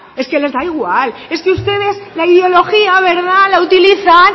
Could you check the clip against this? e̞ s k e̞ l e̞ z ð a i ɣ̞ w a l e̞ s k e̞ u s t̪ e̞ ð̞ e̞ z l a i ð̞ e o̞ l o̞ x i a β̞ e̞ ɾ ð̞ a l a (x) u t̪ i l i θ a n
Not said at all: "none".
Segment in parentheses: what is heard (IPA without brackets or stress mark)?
none